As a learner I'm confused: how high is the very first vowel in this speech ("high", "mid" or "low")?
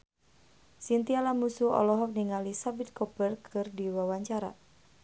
high